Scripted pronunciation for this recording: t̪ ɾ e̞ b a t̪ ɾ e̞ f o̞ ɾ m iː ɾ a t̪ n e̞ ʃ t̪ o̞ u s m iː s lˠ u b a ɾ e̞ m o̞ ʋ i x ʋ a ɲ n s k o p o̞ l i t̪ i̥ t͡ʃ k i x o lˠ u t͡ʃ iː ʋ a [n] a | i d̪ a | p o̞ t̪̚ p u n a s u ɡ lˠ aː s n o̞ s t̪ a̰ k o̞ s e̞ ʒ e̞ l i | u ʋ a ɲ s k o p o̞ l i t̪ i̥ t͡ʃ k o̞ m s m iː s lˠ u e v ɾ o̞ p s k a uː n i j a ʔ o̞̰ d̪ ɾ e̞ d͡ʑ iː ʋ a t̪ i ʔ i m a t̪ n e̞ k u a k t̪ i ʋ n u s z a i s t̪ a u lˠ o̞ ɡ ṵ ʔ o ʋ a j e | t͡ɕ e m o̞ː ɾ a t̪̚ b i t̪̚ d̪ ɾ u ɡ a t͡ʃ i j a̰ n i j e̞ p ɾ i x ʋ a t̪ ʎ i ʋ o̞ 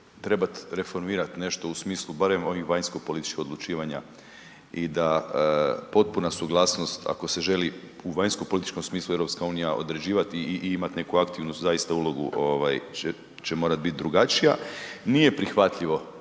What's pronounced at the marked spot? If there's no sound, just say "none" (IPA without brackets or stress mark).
ɲ